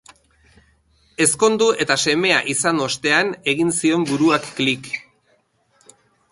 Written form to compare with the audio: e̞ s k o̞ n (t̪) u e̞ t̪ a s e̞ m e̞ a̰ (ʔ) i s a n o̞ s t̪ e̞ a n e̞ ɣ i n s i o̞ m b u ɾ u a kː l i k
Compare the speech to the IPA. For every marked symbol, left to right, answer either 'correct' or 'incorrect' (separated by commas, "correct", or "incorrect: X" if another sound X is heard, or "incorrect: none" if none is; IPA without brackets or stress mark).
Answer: incorrect: d̪, correct